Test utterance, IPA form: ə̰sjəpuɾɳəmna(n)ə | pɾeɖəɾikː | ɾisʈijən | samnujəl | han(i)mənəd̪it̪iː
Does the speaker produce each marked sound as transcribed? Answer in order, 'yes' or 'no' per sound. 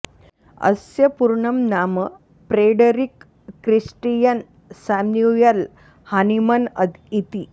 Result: no, yes

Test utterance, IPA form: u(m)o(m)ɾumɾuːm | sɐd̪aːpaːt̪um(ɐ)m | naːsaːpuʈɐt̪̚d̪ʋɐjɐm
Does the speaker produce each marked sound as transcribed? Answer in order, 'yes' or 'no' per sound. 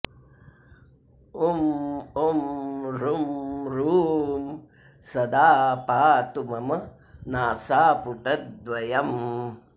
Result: yes, yes, yes

